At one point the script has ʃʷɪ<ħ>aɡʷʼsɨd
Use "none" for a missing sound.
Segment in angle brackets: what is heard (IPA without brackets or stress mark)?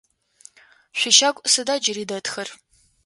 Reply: ʃ